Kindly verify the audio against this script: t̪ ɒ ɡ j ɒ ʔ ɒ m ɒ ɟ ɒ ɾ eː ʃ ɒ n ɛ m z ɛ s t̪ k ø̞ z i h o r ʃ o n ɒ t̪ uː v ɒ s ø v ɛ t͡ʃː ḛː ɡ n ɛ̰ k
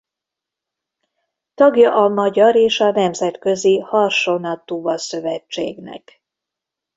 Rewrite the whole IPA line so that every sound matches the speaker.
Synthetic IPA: t̪ ɒ ɡ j ɒ ʔ ɒ m ɒ ɟ ɒ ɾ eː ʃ ɒ n ɛ m z ɛ t̪ k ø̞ z i h ɒ r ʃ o n ɒ t̪ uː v ɒ s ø v ɛ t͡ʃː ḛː ɡ n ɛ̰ k

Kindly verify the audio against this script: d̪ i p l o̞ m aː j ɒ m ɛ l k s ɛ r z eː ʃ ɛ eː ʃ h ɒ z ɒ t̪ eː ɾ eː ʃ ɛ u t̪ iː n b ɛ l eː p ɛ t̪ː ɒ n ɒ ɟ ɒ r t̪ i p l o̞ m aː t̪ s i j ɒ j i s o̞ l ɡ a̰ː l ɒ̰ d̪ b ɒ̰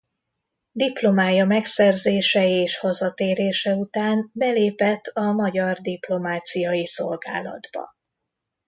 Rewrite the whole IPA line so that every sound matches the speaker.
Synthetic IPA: d̪ i p l o̞ m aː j ɒ m ɛ k s ɛ r z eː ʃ ɛ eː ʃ h ɒ z ɒ t̪ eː ɾ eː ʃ ɛ u t̪ aː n b ɛ l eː p ɛ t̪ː ɒ m ɒ ɟ ɒ r d̪ i p l o̞ m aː t̪ s i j ɒ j i s o̞ l ɡ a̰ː l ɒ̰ d̪ b ɒ̰

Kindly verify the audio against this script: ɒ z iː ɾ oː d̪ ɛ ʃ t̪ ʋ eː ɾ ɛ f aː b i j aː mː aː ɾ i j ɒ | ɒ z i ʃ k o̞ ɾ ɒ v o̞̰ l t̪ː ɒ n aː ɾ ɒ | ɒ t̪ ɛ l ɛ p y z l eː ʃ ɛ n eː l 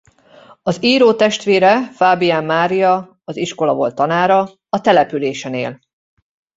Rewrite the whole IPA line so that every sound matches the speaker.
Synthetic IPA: ɒ z iː ɾ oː t̪ ɛ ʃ t̪ ʋ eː ɾ ɛ f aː b i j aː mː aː ɾ i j ɒ | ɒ z i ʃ k o̞ l ɒ v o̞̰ l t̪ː ɒ n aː ɾ ɒ | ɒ t̪ ɛ l ɛ p y l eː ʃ ɛ n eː l

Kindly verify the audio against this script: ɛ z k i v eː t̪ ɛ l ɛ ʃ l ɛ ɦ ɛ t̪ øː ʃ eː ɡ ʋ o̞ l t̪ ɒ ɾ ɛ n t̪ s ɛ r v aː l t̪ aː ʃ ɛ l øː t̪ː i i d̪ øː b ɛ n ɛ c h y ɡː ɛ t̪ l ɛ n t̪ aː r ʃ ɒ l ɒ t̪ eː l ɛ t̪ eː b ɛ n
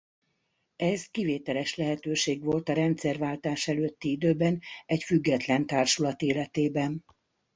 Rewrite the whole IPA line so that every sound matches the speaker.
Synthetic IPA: ɛ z k i v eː t̪ ɛ l ɛ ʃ l ɛ ɦ ɛ t̪ øː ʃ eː ɡ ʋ o̞ l t̪ ɒ ɾ ɛ n t̪ s ɛ r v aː l t̪ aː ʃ ɛ l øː t̪ː i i d̪ øː b ɛ n ɛ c f y ɡː ɛ t̪ l ɛ n t̪ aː r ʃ u l ɒ t̪ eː l ɛ t̪ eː b ɛ n

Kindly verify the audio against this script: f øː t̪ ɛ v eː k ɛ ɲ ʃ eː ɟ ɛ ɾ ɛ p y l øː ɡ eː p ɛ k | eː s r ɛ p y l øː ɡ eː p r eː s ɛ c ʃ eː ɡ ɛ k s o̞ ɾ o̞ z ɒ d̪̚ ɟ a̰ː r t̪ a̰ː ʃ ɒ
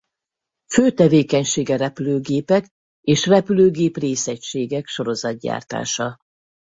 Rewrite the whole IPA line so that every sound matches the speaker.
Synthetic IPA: f øː t̪ ɛ v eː k ɛ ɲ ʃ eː ɡ ɛ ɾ ɛ p y l øː ɡ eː p ɛ k | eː ʃ r ɛ p y l øː ɡ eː p r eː s ɛ c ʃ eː ɡ ɛ k ʃ o̞ ɾ o̞ z ɒ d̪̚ ɟ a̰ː r t̪ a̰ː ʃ ɒ

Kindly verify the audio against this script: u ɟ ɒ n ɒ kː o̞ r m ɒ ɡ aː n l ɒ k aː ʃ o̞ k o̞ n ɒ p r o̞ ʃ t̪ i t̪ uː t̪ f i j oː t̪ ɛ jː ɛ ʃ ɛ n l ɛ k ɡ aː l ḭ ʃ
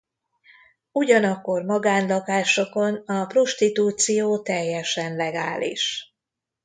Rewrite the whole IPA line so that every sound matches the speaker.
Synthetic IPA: u ɟ ɒ n ɒ kː o̞ r m ɒ ɡ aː n l ɒ k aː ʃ o̞ k o̞ n ɒ p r o̞ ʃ t̪ i t̪ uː t̪ s i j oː t̪ ɛ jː ɛ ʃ ɛ n l ɛ ɡ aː l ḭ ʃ

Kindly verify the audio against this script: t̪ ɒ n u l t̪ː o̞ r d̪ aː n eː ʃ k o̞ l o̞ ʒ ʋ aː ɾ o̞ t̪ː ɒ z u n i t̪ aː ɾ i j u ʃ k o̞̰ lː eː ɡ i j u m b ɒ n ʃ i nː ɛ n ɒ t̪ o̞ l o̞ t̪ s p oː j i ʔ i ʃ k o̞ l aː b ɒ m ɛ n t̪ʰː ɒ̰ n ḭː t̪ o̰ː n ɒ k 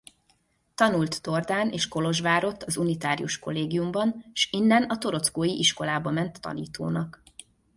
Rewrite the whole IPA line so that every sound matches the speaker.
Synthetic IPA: t̪ ɒ n u l t̪ː o̞ r d̪ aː n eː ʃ k o̞ l o̞ ʒ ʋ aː ɾ o̞ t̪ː ɒ z u n i t̪ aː ɾ i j u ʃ k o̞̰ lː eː ɡ i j u m b ɒ n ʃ i nː ɛ n ɒ t̪ o̞ ɾ o̞ t̪ s k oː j i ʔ i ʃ k o̞ l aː b ɒ m ɛ n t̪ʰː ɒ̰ n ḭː t̪ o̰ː n ɒ k

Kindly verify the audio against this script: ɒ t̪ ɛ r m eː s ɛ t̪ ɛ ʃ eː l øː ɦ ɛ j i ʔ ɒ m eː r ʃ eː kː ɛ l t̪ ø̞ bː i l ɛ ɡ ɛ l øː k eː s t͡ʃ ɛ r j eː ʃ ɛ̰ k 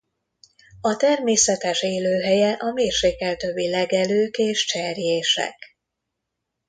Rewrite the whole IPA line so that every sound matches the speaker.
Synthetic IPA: ɒ t̪ ɛ r m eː s ɛ t̪ ɛ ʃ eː l øː ɦ ɛ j ɛ ʔ ɒ m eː r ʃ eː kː ɛ l t̪ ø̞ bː i l ɛ ɡ ɛ l øː k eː ʃ t͡ʃ ɛ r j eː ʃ ɛ̰ k

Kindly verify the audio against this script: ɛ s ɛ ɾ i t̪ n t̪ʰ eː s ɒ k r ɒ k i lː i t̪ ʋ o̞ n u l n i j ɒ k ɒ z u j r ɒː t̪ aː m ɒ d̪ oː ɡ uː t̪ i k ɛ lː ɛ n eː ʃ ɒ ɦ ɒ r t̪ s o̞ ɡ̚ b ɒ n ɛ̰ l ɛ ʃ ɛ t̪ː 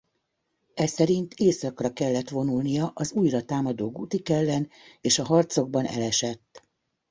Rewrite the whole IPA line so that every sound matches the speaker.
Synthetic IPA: ɛ s ɛ ɾ i n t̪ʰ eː s ɒ k r ɒ k ɛ lː ɛ t̪ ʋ o̞ n u l n i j ɒ ʔ ɒ z u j r ɒ t̪ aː m ɒ d̪ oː ɡ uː t̪ i k ɛ lː ɛ n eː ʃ ɒ ɦ ɒ r t̪ s o̞ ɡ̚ b ɒ n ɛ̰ l ɛ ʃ ɛ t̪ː

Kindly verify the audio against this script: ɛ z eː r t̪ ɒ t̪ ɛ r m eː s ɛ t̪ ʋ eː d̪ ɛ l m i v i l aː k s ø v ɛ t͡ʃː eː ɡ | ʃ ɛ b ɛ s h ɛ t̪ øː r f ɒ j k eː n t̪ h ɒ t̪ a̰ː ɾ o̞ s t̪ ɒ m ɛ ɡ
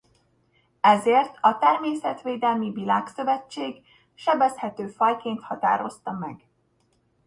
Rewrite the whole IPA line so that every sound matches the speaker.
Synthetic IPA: ɛ z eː r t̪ ɒ t̪ ɛ r m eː s ɛ t̪ ʋ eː d̪ ɛ l m i v i l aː k s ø v ɛ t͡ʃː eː ɡ | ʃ ɛ b ɛ s h ɛ t̪ øː f ɒ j k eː n t̪ h ɒ t̪ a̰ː ɾ o̞ s t̪ ɒ m ɛ ɡ

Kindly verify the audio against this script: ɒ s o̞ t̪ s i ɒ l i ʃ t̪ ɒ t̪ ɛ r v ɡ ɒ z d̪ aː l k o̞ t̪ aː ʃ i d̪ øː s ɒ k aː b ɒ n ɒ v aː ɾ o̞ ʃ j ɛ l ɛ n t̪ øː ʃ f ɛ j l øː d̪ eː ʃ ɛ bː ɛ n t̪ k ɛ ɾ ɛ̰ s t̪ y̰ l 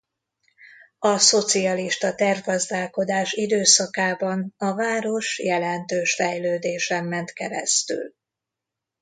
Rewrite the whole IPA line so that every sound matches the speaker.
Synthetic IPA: ɒ s o̞ t̪ s i ɒ l i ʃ t̪ ɒ t̪ ɛ r v ɡ ɒ z d̪ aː l k o̞ d̪ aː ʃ i d̪ øː s ɒ k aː b ɒ n ɒ v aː ɾ o̞ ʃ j ɛ l ɛ n t̪ øː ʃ f ɛ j l øː d̪ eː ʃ ɛ mː ɛ n t̪ k ɛ ɾ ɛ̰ s t̪ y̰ l

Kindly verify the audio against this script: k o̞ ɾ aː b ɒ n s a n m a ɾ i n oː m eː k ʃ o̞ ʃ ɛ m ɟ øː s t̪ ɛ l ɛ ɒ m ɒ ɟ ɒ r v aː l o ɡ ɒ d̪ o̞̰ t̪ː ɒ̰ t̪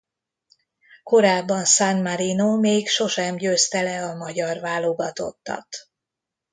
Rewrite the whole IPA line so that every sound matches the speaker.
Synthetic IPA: k o̞ ɾ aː bː ɒ n s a n m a ɾ i n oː m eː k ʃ o̞ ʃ ɛ m ɟ øː s t̪ ɛ l ɛ ɒ m ɒ ɟ ɒ r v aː l o ɡ ɒ t̪ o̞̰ t̪ː ɒ̰ t̪

